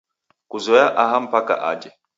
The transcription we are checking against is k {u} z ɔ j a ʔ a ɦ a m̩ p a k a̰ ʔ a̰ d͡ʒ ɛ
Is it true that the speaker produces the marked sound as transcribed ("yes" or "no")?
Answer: yes